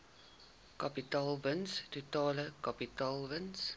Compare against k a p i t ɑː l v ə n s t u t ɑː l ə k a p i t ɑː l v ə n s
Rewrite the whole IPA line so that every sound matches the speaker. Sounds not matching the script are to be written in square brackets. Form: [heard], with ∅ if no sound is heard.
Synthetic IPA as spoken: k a p i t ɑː l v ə n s t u t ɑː l ə k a p i t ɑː l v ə n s